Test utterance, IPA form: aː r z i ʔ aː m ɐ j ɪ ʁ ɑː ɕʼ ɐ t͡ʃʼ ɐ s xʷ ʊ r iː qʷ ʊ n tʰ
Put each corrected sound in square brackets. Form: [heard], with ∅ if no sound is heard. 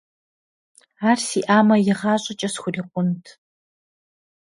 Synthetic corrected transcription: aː r [s] i ʔ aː m ɐ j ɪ ʁ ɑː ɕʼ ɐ t͡ʃʼ ɐ s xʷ ʊ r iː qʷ ʊ n tʰ